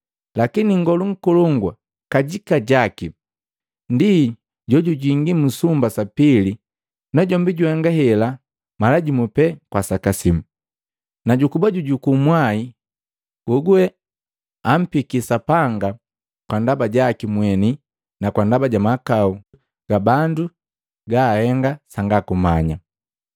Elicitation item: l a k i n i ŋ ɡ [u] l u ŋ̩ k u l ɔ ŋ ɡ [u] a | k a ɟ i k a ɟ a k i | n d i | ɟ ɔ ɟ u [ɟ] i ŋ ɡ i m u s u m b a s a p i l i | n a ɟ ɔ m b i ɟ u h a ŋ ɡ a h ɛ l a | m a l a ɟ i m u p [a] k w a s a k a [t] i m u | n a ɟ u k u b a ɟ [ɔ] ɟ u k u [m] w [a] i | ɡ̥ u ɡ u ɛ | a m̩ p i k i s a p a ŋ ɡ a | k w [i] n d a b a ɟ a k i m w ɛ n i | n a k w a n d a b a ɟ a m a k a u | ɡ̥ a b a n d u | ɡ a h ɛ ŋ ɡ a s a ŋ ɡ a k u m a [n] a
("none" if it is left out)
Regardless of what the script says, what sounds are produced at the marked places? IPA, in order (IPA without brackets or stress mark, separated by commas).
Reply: ɔ, w, ɟ, ɛ, s, u, m, a, a, ɲ